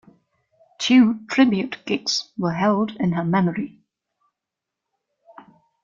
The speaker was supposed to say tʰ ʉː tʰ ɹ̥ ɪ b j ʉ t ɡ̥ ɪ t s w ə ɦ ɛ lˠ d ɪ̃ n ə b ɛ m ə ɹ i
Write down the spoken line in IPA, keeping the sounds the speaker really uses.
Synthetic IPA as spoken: tʰ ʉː tʰ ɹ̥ ɪ b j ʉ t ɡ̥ ɪ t s w ə ɦ ɛ lˠ d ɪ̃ n ə m ɛ m ə ɹ i